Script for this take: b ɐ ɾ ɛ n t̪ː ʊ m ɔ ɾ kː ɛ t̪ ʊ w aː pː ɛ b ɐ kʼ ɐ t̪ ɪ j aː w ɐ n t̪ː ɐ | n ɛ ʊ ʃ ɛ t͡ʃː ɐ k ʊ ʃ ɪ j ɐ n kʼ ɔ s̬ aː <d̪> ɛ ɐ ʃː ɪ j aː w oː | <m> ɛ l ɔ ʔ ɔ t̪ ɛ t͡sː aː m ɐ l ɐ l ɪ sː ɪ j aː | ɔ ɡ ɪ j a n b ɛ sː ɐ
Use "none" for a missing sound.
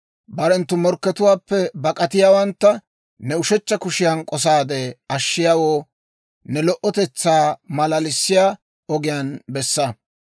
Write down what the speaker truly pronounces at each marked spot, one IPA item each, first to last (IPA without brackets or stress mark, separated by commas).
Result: d̪, n